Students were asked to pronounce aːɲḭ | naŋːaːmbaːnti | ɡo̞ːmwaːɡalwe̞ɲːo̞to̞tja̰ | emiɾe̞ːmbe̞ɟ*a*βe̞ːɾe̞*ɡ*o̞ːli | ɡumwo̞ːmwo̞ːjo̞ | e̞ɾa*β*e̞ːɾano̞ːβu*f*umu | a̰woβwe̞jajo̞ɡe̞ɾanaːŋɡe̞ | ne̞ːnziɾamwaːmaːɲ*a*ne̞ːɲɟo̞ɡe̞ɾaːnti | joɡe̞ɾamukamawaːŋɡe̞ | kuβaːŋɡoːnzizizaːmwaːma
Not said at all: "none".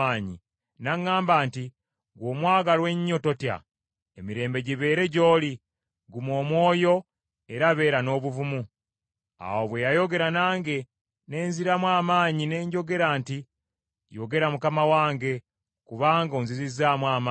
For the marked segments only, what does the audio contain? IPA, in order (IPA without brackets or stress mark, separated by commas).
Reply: i, ɟ, β, v, i